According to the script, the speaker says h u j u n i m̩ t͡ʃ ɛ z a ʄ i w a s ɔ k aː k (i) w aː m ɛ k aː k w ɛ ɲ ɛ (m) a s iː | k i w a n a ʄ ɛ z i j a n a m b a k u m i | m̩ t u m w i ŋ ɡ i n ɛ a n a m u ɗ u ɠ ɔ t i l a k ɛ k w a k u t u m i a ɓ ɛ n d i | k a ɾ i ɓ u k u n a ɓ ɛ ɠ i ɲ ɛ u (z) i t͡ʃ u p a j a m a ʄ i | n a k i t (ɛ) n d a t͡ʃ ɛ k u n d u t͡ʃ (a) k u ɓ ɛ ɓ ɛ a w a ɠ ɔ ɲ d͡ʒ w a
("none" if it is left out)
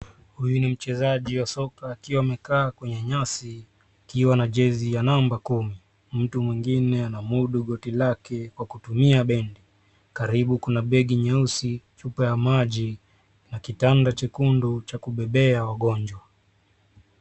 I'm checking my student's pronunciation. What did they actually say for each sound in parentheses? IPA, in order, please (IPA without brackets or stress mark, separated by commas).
i, ɲ, s, a, a